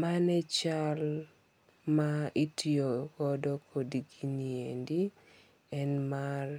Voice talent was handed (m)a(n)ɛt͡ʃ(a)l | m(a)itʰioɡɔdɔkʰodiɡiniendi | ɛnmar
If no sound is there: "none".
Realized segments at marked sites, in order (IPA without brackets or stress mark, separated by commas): m, n, a, a